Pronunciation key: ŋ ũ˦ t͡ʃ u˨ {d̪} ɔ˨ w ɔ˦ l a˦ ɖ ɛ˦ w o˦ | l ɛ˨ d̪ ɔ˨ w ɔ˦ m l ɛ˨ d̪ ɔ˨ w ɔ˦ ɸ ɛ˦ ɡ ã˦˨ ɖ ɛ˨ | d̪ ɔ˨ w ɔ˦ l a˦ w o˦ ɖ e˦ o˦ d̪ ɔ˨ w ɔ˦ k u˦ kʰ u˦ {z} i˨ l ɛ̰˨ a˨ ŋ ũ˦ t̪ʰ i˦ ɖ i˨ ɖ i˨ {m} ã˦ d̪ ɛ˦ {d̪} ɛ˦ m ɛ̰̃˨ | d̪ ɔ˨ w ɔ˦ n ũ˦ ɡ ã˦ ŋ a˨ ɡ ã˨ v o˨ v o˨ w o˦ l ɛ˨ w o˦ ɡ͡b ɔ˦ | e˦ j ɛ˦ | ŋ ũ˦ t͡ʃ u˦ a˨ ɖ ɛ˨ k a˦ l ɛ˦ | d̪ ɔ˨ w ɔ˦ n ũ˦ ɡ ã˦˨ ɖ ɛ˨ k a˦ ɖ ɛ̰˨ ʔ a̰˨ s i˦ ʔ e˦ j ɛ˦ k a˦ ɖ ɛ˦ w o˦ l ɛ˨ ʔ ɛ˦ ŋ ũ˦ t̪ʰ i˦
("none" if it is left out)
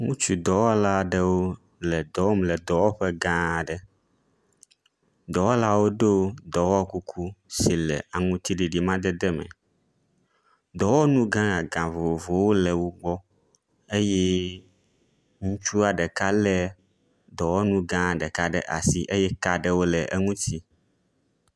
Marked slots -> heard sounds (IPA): d̪, s, m, d̪

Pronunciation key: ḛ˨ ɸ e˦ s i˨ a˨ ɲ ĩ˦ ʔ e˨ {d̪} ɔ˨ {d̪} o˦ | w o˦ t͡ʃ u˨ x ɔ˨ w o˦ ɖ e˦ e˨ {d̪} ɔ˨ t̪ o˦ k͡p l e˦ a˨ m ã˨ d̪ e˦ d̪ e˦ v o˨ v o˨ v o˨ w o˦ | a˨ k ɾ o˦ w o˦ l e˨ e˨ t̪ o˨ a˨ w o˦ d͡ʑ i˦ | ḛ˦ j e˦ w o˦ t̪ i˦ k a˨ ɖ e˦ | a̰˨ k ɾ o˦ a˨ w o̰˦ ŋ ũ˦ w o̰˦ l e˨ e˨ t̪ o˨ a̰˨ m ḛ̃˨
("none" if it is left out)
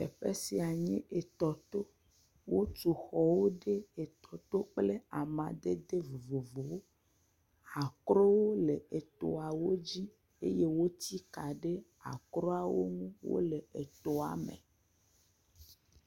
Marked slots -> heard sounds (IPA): t̪, t̪, t̪

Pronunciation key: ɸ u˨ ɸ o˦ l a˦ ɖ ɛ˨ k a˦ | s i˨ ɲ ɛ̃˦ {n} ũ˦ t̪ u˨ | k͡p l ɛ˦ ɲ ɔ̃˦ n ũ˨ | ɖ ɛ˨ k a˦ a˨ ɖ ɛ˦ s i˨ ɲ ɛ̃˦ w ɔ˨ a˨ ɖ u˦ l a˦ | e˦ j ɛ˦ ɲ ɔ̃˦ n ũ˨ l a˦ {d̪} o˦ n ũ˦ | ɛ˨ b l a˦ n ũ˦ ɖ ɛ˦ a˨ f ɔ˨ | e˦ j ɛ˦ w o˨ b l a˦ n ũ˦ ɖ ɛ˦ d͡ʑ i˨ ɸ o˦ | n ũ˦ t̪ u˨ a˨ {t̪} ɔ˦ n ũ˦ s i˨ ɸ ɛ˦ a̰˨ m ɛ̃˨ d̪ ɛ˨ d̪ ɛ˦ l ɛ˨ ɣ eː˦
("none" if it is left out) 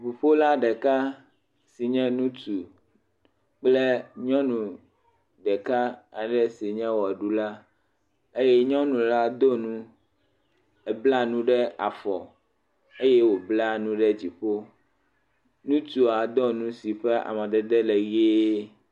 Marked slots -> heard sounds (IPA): n, d̪, d̪

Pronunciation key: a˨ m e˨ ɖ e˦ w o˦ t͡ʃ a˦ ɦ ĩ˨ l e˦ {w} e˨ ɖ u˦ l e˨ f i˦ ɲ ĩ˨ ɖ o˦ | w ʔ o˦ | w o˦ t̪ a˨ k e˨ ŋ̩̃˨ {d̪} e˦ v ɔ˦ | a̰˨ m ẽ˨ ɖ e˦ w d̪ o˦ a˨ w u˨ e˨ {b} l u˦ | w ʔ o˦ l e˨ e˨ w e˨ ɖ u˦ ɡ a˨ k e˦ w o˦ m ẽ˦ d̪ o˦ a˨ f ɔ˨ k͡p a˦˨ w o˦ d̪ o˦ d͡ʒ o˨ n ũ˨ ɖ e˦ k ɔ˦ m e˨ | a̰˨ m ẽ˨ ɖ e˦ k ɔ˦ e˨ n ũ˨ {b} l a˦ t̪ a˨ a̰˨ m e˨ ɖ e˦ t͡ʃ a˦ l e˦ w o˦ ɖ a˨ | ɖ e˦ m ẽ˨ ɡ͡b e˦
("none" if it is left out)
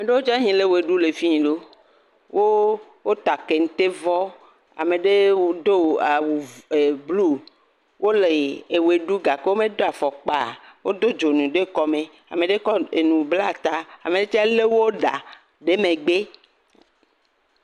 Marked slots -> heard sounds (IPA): w, t̪, b, b

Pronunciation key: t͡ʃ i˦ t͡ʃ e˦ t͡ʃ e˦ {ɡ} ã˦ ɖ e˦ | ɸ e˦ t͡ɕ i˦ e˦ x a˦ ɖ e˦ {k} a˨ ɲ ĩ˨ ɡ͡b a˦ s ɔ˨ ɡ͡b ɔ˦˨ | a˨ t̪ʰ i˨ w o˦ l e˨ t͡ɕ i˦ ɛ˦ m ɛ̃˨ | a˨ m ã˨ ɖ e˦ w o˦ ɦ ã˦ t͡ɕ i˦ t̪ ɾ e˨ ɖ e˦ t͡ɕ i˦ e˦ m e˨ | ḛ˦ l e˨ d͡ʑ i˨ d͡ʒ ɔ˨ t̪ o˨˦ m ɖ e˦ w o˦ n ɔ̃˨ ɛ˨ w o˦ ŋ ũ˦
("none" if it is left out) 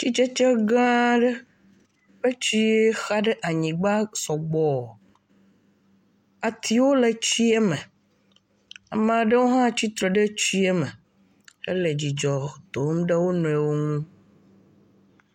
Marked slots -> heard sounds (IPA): ɡ, ʔ

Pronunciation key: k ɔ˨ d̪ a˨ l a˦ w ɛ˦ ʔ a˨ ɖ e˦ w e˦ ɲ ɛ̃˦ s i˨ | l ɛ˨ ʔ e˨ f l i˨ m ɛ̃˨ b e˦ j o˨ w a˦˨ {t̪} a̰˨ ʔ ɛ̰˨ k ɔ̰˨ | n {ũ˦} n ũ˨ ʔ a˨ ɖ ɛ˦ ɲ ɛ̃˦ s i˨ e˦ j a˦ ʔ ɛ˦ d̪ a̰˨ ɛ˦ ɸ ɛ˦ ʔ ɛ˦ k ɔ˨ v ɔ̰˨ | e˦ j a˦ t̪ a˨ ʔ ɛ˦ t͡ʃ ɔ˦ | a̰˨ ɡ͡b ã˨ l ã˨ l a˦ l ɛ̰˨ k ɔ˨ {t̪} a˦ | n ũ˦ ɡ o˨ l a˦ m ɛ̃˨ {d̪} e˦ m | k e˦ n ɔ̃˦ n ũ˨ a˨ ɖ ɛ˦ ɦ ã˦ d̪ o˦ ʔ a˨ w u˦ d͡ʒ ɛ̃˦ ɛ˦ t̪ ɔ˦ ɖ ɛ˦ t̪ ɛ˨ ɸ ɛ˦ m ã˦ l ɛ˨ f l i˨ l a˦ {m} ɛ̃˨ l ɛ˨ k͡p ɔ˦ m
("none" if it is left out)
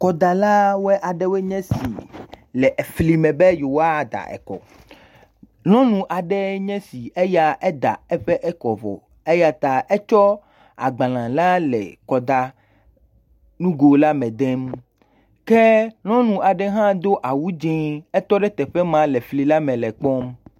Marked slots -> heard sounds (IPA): d̪, ɔ̃˦, d̪, d̪, m

